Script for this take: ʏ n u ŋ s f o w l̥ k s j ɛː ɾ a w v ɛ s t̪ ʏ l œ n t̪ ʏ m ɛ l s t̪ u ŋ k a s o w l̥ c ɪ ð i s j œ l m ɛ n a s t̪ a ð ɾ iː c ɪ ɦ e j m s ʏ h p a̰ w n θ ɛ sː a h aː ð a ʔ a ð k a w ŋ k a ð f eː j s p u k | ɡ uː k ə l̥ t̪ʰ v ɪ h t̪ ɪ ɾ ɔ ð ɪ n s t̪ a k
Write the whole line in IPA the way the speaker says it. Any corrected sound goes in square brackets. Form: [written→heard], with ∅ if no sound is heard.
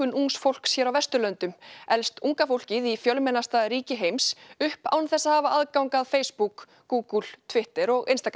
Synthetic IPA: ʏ n u ŋ s f o w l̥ k s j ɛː ɾ a w v ɛ s t̪ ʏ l œ n t̪ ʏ m ɛ l s t̪ u ŋ k a [s→f] o w l̥ c ɪ ð i [s→f] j œ l m ɛ n a s t̪ a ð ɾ iː c ɪ ɦ e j m s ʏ h p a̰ w n θ ɛ sː a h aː [ð→v] a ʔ a ð k a w ŋ k a ð f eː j s p u k | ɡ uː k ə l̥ t̪ʰ v ɪ h t̪ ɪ ɾ ɔ [ð→ɣ] ɪ n s t̪ a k